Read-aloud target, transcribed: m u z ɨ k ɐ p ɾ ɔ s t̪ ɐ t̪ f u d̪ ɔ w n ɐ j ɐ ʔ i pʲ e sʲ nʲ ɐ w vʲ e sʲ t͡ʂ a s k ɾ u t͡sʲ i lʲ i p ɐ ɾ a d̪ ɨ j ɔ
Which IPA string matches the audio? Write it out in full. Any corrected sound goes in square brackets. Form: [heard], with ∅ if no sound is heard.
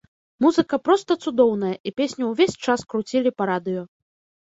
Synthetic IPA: m u z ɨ k ɐ p ɾ ɔ s t̪ ɐ t̪ [s] u d̪ ɔ w n ɐ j ɐ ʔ i pʲ e sʲ nʲ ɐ w vʲ e sʲ t͡ʂ a s k ɾ u t͡sʲ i lʲ i p ɐ ɾ a d̪ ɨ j ɔ